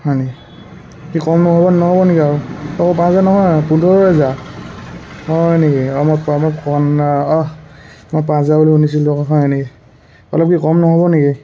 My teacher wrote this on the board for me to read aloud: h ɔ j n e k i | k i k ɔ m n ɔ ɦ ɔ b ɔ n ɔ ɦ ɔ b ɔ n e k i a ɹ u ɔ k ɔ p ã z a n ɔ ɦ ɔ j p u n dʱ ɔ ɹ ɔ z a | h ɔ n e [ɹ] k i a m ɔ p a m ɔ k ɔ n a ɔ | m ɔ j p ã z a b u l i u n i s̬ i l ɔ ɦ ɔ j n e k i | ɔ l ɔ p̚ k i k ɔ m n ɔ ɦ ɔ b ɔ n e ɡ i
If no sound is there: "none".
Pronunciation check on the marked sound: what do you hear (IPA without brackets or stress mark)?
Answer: none